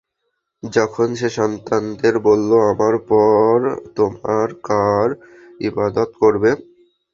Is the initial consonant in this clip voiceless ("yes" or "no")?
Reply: no